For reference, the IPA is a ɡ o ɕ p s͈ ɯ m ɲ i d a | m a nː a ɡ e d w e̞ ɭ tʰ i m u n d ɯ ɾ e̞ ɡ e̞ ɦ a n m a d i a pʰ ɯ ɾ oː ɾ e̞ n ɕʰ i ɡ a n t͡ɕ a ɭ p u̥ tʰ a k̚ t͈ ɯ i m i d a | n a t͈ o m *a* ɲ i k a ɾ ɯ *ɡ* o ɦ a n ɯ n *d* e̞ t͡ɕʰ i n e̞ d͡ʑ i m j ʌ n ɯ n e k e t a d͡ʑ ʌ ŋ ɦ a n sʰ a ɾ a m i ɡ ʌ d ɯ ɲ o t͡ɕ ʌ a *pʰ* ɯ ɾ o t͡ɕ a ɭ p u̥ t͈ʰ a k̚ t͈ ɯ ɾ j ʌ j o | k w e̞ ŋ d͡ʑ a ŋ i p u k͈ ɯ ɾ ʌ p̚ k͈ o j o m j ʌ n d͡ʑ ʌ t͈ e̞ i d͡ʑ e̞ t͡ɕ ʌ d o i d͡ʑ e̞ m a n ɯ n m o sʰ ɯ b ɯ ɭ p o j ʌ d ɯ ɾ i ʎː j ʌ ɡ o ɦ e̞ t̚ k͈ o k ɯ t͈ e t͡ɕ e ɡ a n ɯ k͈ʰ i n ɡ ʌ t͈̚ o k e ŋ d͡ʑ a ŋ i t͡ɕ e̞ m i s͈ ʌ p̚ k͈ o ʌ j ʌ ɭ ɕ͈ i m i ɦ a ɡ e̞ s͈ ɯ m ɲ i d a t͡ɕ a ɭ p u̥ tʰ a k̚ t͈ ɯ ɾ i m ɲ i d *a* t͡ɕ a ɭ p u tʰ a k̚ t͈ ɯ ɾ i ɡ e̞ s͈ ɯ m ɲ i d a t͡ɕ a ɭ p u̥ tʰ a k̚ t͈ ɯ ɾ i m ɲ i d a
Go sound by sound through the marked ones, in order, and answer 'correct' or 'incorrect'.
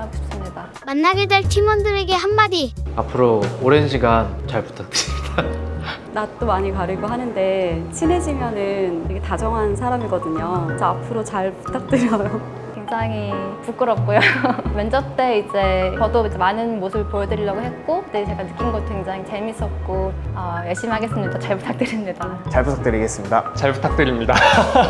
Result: correct, correct, correct, correct, correct

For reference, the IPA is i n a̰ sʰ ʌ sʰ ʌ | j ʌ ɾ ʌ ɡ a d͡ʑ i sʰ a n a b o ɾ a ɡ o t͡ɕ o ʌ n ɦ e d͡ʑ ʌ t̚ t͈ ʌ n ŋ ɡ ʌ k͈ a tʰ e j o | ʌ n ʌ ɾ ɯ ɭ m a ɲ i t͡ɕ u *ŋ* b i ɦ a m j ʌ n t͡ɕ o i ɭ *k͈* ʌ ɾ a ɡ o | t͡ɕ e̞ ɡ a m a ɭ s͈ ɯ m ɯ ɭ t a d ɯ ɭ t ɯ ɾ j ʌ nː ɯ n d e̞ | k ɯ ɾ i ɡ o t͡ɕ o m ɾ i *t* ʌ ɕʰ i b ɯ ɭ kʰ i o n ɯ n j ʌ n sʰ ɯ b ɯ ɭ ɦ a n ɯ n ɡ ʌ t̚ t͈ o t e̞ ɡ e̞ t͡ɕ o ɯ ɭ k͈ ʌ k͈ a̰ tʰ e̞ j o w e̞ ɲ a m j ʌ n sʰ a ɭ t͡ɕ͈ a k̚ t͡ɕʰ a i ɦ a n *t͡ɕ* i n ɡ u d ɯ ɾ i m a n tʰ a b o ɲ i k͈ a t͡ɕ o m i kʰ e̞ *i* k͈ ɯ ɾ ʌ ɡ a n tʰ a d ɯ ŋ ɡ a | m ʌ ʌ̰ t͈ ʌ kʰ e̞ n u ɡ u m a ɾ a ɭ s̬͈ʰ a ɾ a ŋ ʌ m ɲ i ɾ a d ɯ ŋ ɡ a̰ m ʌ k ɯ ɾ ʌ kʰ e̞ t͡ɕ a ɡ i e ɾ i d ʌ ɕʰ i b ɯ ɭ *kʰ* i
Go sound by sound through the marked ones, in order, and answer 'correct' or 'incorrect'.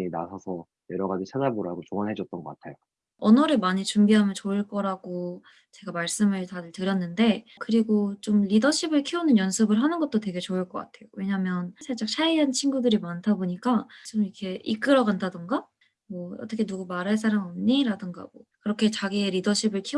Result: incorrect, correct, incorrect, incorrect, correct, correct

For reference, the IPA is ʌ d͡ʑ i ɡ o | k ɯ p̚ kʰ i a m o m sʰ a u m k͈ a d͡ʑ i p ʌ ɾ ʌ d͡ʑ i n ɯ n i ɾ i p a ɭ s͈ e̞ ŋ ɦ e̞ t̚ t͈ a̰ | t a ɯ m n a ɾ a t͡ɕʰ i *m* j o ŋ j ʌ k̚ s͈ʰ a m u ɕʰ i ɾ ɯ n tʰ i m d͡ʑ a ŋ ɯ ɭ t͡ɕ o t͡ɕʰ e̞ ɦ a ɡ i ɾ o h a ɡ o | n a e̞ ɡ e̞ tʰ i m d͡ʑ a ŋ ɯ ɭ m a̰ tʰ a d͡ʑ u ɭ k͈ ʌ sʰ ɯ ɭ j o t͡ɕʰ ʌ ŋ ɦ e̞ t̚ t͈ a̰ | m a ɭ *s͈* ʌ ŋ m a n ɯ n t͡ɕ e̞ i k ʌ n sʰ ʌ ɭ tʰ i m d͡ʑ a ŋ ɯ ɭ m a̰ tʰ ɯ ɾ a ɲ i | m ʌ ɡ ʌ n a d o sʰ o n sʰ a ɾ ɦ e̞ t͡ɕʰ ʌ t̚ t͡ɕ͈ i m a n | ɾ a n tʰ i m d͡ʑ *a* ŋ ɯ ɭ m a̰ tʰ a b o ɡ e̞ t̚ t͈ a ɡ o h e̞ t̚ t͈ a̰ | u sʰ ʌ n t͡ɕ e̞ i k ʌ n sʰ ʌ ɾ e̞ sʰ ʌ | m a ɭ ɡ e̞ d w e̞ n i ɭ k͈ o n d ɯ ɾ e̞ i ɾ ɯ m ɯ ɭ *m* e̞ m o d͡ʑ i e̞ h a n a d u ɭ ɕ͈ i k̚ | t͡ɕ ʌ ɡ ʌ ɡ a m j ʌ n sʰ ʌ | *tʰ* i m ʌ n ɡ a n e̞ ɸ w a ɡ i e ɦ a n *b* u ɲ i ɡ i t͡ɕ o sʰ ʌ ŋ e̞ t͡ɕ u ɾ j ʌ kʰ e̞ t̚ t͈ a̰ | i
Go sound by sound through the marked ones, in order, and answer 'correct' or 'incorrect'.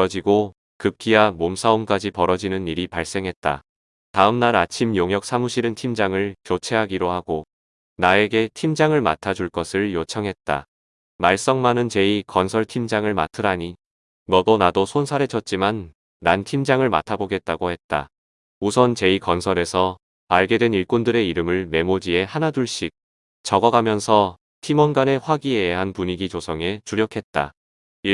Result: correct, correct, correct, correct, correct, incorrect

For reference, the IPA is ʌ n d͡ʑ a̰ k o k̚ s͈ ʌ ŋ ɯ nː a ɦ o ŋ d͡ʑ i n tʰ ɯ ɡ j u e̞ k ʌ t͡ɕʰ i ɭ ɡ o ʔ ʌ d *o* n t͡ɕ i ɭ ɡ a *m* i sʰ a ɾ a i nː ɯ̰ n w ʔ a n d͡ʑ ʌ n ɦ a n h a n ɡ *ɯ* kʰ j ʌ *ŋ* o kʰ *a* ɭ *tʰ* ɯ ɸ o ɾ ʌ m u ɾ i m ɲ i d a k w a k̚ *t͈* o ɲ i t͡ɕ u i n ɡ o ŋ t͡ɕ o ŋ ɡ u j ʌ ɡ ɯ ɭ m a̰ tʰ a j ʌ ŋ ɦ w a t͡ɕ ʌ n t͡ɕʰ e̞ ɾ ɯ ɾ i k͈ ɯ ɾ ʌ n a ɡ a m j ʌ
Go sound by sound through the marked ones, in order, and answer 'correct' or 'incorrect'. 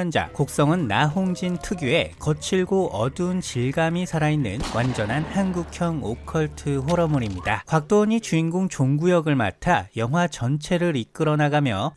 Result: incorrect, correct, incorrect, correct, incorrect, correct, correct

